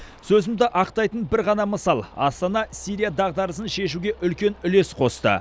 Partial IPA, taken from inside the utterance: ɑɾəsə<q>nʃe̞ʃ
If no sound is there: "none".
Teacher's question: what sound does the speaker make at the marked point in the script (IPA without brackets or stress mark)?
none